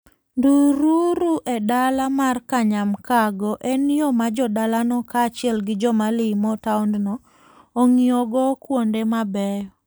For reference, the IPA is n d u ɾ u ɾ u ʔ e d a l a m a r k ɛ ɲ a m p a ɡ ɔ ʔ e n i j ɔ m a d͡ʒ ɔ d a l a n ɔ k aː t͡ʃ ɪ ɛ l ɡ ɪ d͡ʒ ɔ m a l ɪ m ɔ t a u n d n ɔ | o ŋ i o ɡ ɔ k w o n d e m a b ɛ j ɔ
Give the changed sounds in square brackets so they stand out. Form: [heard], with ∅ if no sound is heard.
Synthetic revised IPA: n d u ɾ u ɾ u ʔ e d a l a m a r k [a] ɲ a m [k] a ɡ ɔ ʔ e n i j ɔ m a d͡ʒ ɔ d a l a n ɔ k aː t͡ʃ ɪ ɛ l ɡ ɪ d͡ʒ ɔ m a l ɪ m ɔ t a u n d n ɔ | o ŋ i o ɡ ɔ k w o n d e m a b ɛ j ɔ